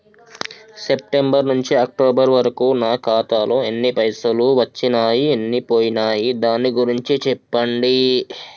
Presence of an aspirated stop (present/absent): absent